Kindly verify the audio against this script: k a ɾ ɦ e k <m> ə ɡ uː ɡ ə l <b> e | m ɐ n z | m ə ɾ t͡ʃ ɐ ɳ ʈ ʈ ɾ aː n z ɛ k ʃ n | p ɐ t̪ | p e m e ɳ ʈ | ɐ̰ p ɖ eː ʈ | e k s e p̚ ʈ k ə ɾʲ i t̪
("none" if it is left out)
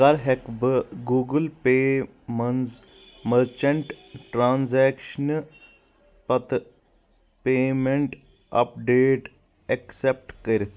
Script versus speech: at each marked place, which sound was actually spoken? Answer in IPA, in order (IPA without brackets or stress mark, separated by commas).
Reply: b, p